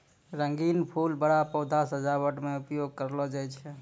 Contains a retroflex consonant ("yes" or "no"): yes